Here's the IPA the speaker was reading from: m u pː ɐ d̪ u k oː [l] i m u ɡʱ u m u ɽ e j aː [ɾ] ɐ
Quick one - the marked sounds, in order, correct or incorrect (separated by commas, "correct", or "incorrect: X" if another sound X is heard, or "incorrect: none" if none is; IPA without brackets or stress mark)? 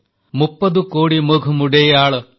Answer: incorrect: ɽ, incorrect: ɭ